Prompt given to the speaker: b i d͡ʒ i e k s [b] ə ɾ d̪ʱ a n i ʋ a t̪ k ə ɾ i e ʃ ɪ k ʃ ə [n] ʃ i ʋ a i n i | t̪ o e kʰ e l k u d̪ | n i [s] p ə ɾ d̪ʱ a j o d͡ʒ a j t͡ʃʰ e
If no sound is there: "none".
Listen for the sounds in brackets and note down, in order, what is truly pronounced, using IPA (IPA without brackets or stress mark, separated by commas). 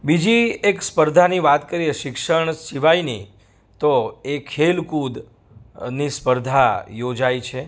p, ɳ, s